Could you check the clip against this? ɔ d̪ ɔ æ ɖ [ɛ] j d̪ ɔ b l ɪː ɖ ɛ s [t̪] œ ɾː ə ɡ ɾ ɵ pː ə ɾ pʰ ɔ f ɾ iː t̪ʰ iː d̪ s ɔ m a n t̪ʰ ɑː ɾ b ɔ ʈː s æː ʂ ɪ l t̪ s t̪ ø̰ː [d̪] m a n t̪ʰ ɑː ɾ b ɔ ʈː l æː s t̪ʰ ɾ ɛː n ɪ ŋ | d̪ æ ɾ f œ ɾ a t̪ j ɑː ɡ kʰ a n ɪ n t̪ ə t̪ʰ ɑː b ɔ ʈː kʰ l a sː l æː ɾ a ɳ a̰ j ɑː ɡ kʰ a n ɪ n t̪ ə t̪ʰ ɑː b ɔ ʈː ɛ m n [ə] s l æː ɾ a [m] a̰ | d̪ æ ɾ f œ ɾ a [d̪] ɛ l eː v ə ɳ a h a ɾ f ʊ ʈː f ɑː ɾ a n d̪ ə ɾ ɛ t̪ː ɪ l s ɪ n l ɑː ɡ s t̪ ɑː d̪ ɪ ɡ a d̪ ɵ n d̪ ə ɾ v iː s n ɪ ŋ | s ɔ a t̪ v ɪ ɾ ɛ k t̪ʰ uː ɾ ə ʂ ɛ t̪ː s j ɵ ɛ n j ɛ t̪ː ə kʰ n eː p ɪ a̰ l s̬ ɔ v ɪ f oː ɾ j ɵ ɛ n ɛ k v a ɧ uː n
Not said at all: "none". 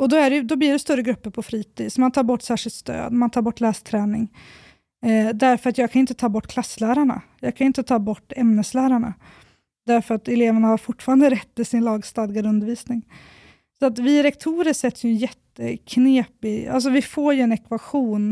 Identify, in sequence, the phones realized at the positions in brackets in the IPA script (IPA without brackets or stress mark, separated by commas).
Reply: ɛ, t̪, d̪, ə, ɳ, t̪